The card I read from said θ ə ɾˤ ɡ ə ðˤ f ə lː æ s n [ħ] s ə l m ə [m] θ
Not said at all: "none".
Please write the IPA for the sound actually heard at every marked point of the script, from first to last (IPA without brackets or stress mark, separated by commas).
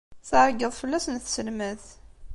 θ, none